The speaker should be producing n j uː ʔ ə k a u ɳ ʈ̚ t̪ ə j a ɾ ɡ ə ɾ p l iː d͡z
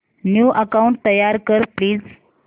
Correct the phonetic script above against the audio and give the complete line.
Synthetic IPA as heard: n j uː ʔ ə k a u ɳ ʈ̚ t̪ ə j a ɾ k ə ɾ p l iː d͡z